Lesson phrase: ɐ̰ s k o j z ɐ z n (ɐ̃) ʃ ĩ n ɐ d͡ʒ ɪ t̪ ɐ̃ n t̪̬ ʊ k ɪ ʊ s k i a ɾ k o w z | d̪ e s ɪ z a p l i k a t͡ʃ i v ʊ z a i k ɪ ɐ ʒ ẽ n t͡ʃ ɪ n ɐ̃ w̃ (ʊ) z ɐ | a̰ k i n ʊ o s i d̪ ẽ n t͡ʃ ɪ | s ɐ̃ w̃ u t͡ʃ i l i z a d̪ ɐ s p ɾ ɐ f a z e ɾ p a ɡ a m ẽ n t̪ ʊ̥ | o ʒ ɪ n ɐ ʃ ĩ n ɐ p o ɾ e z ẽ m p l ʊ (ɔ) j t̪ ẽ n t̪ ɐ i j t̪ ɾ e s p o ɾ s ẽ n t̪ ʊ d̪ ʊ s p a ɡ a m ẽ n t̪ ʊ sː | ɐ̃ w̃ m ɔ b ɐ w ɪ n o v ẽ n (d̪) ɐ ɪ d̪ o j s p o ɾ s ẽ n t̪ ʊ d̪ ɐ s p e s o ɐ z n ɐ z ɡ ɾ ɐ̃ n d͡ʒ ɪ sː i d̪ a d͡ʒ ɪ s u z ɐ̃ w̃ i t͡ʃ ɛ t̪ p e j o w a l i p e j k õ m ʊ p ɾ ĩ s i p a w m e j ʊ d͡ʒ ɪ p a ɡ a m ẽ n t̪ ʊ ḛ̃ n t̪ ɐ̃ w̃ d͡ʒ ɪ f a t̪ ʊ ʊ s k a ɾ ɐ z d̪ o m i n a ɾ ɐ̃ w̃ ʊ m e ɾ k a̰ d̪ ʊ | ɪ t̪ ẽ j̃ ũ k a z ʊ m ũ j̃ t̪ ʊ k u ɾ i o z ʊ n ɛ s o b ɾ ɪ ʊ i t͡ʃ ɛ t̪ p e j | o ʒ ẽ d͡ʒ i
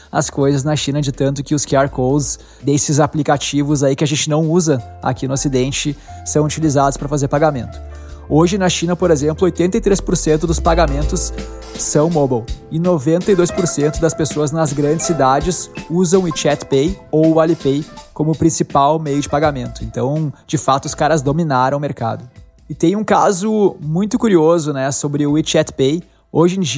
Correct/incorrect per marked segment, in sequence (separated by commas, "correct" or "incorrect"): incorrect, incorrect, incorrect, incorrect